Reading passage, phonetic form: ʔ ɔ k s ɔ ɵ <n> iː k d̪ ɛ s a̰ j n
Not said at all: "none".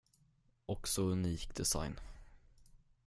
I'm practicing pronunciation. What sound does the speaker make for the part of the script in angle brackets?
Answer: n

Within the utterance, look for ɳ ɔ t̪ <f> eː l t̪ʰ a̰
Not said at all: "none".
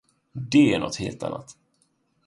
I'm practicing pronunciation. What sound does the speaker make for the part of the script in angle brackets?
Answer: h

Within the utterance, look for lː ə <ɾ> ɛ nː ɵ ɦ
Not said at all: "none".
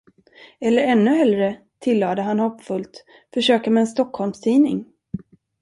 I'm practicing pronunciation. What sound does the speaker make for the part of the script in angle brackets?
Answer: ɾ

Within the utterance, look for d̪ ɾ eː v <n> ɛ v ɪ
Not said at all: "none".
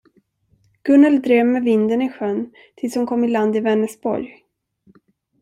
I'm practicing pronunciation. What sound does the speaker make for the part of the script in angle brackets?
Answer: m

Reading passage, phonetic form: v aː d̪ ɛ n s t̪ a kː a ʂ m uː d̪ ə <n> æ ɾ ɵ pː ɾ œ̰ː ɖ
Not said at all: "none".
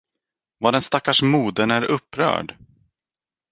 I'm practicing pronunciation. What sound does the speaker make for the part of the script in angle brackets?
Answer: n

